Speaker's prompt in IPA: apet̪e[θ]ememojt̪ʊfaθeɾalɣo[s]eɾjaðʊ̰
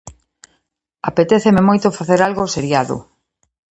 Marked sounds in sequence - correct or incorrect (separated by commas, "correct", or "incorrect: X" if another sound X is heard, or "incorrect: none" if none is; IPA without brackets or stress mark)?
correct, correct